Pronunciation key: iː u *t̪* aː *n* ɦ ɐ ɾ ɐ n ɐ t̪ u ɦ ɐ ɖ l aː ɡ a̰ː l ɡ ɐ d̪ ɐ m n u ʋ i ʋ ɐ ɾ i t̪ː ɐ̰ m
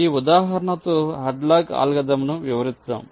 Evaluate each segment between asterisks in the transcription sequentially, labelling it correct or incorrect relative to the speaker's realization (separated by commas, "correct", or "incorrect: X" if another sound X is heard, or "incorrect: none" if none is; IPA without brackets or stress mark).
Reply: incorrect: d̪, incorrect: none